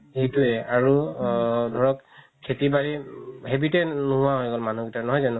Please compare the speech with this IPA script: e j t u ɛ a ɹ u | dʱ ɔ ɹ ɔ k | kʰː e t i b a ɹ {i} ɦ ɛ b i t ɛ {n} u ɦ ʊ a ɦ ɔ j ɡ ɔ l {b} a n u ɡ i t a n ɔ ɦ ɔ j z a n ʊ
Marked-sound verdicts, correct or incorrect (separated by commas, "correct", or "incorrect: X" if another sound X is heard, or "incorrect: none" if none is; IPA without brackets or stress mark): correct, correct, incorrect: m